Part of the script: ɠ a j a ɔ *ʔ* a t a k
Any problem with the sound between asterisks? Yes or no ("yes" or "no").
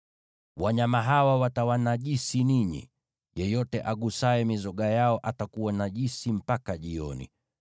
no